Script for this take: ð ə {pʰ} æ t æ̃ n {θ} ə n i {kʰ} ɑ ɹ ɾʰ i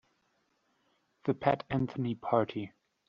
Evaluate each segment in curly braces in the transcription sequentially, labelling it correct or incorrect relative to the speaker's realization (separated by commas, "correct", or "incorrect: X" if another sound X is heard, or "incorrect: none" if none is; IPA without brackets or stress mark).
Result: correct, correct, incorrect: pʰ